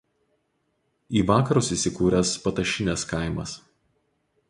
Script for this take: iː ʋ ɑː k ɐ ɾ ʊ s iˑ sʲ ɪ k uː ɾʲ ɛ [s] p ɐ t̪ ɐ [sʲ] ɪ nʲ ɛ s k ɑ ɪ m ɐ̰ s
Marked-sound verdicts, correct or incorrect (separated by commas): correct, incorrect